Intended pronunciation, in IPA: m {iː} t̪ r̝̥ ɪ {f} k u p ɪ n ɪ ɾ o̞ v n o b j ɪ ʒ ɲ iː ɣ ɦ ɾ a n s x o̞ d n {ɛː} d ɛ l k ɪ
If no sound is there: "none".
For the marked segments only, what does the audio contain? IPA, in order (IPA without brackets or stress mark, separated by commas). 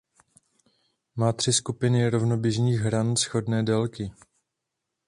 aː, s, ɛː